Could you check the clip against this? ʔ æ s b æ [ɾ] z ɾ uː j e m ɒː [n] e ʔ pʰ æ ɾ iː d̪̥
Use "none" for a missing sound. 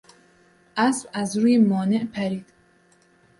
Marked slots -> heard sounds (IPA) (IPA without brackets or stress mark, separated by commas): none, n